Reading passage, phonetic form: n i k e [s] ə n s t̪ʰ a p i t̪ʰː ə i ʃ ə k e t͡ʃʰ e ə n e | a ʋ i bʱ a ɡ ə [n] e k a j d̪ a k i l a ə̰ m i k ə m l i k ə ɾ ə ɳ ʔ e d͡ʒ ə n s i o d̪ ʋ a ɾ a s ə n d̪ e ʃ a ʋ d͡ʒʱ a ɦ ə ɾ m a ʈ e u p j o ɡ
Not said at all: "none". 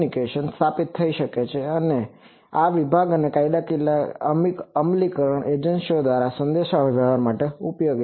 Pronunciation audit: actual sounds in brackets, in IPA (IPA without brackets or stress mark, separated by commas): ʃ, n